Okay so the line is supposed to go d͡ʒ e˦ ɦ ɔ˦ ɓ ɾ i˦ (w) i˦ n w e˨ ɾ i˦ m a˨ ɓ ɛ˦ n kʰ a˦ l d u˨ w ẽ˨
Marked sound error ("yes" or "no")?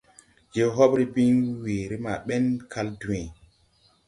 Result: yes